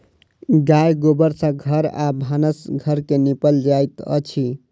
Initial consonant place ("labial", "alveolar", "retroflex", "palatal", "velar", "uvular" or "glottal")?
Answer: velar